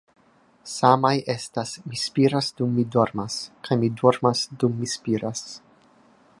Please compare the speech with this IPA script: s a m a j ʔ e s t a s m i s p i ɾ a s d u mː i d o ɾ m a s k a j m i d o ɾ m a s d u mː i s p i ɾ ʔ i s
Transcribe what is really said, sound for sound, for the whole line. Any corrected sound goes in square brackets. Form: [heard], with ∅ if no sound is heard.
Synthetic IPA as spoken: s a m a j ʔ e s t a s m i s p i ɾ a s d u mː i d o ɾ m a s k a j m i d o ɾ m a s d u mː i s p i ɾ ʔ [a] s